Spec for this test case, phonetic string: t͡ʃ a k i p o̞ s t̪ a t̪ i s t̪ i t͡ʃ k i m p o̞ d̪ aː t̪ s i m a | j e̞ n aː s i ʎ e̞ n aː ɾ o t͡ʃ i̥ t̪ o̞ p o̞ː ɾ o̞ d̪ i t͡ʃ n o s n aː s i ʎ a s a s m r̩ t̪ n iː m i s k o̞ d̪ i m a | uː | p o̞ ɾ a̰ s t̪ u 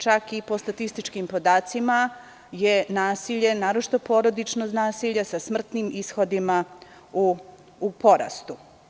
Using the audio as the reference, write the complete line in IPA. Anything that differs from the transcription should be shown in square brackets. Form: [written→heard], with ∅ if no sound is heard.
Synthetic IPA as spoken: t͡ʃ a k i p o̞ s t̪ a t̪ i s t̪ i t͡ʃ k i m p o̞ d̪ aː t̪ s i m a | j e̞ n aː s i ʎ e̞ n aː ɾ o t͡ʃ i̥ t̪ o̞ p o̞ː ɾ o̞ d̪ i t͡ʃ n o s n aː s i ʎ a s a s m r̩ t̪ n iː m i s [k→x] o̞ d̪ i m a | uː | p o̞ ɾ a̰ s t̪ u